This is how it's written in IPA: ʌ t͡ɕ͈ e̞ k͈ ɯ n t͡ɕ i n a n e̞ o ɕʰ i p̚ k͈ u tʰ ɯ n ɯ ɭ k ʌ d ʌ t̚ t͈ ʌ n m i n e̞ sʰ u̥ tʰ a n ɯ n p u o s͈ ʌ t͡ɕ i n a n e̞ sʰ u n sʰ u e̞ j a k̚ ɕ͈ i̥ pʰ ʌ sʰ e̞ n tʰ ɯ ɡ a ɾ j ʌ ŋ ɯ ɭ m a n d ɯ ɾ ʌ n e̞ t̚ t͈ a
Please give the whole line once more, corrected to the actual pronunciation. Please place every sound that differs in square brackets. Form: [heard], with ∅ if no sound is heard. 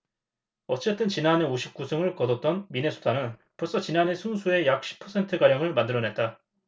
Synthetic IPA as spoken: ʌ t͡ɕ͈ e̞ [t͈] ɯ n t͡ɕ i n a n e̞ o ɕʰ i p̚ k͈ u [sʰ] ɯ [ŋ] ɯ ɭ k ʌ d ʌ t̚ t͈ ʌ n m i n e̞ sʰ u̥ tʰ a n ɯ n p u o s͈ ʌ t͡ɕ i n a n e̞ sʰ u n sʰ u e̞ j a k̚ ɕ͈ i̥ pʰ ʌ sʰ e̞ n tʰ ɯ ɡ a ɾ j ʌ ŋ ɯ ɭ m a n d ɯ ɾ ʌ n e̞ t̚ t͈ a